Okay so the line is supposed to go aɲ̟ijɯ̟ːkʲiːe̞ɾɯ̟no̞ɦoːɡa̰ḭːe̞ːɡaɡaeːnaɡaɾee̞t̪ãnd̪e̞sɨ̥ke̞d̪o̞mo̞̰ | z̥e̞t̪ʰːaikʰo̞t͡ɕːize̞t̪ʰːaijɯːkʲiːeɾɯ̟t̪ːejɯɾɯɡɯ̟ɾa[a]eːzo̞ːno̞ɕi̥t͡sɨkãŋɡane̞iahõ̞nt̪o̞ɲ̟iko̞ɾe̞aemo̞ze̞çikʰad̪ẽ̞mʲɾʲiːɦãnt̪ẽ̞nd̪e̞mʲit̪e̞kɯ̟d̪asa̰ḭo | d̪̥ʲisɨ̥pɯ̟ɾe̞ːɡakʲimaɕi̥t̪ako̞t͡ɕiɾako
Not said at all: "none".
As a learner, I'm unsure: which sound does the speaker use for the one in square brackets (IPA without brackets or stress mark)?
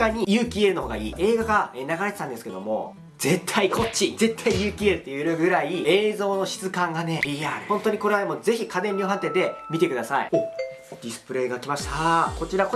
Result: i